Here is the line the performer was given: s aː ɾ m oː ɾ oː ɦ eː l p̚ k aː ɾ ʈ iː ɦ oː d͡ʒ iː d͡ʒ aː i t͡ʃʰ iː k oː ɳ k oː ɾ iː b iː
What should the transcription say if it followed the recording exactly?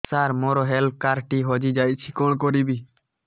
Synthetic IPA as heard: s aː ɾ m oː ɾ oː ɦ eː l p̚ k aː ɾ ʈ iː ɦ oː d͡ʒ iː d͡ʒ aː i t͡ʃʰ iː k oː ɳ k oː ɾ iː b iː